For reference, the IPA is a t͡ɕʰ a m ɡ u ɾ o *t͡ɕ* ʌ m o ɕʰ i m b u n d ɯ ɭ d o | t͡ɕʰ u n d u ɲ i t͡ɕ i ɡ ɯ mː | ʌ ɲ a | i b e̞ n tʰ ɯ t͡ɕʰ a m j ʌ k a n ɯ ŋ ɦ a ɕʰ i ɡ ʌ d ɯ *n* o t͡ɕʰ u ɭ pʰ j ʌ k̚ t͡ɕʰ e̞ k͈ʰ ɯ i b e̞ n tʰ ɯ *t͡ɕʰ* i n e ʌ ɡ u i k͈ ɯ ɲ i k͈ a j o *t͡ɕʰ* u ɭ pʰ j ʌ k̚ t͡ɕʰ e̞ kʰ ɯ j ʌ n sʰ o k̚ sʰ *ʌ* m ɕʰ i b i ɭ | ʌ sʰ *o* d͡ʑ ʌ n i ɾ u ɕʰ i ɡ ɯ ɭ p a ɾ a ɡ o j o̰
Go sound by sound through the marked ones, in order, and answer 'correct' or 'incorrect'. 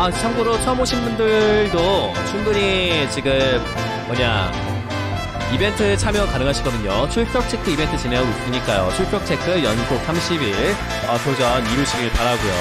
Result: incorrect, incorrect, incorrect, correct, incorrect, correct

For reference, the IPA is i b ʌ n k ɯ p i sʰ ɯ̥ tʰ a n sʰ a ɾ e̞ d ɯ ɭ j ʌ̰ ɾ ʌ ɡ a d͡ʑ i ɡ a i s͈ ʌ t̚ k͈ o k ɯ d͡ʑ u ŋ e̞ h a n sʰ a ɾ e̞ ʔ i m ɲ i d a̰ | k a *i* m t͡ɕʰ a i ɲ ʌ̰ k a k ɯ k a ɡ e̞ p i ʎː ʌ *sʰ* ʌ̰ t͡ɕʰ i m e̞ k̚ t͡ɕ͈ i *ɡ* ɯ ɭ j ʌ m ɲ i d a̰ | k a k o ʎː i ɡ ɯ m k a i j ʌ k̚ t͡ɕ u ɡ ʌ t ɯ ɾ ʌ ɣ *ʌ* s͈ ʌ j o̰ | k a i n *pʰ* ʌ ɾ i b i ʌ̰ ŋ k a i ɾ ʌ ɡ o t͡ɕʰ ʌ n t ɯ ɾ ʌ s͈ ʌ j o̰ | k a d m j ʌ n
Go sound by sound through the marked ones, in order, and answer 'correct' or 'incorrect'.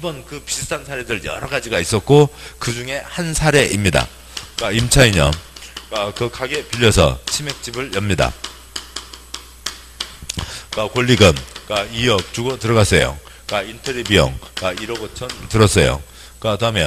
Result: correct, correct, incorrect, incorrect, incorrect

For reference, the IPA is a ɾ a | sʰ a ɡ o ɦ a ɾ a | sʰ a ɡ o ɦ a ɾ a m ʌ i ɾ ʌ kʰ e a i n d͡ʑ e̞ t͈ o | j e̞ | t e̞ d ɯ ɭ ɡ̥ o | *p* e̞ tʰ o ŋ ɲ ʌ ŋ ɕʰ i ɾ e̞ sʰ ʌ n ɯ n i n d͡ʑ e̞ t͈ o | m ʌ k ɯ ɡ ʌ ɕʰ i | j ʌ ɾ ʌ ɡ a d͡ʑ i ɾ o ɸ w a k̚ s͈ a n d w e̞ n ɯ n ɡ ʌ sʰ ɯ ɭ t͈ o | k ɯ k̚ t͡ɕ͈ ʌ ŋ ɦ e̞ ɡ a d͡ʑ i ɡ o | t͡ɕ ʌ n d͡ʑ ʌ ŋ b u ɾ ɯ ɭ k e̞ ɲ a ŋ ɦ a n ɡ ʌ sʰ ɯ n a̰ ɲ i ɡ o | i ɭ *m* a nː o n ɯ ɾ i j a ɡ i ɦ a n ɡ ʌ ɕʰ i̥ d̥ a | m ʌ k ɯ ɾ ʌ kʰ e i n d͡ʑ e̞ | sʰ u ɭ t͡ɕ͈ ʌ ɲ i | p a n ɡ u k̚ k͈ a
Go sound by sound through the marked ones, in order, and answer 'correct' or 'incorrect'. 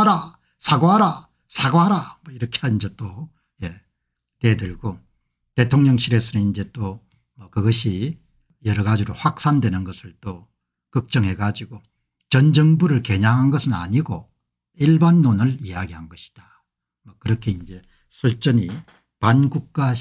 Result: incorrect, incorrect

